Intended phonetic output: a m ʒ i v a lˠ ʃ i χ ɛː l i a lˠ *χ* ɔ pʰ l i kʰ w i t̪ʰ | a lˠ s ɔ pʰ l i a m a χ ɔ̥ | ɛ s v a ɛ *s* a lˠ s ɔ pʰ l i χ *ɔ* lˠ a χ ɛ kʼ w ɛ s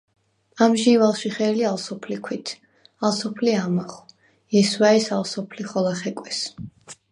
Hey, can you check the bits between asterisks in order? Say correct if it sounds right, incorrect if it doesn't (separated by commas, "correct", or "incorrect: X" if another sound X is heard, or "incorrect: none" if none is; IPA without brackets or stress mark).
incorrect: s, correct, correct